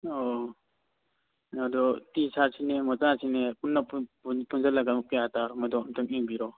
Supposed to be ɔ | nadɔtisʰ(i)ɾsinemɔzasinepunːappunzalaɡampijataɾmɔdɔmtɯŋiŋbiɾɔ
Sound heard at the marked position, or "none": a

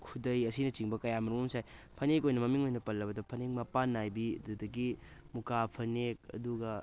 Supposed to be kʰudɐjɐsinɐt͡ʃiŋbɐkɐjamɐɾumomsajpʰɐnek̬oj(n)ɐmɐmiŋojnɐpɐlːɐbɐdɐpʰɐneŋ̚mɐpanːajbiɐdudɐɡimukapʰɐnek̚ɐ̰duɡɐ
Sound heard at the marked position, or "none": n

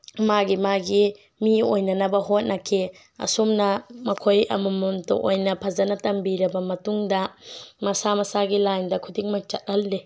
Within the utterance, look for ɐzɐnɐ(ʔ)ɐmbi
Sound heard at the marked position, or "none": t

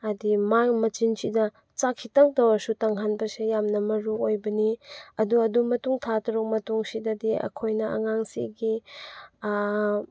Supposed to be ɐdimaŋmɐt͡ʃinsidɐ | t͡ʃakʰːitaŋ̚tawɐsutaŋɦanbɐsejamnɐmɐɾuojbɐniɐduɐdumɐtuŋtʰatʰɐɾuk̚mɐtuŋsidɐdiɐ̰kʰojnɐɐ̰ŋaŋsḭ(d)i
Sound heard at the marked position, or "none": ɡ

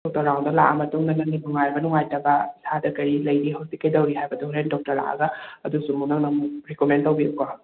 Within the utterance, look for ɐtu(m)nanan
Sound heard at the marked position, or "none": ŋ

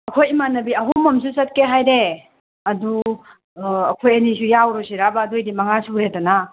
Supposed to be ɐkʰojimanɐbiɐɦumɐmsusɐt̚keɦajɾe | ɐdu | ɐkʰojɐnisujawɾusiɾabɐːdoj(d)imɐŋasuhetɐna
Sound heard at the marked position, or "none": d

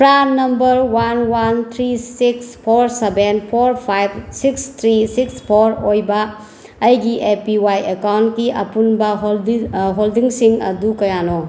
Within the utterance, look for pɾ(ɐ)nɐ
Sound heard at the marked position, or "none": a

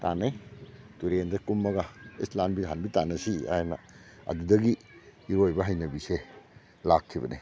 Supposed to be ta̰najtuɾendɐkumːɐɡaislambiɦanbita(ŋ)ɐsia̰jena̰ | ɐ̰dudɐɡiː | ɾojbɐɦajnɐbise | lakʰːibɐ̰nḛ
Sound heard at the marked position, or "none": n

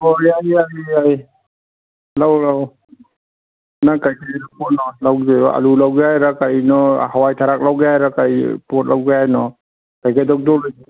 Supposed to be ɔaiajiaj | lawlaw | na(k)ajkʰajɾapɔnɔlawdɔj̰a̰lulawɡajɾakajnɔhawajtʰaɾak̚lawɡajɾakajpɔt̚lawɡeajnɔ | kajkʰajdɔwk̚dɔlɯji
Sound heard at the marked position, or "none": k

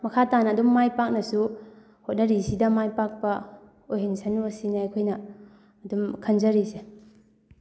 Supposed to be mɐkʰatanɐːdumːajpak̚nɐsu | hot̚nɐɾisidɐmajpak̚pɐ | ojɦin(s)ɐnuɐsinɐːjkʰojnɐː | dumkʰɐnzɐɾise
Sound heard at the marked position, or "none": s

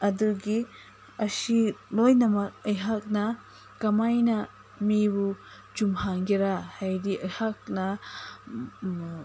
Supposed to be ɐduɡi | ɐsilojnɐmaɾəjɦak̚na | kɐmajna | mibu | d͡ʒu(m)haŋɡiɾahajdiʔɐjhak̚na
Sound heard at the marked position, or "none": m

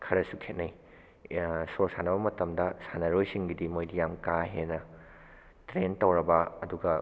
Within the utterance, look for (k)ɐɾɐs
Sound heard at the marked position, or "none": kʰ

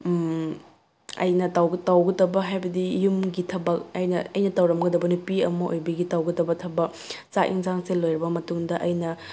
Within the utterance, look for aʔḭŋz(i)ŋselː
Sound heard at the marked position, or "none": a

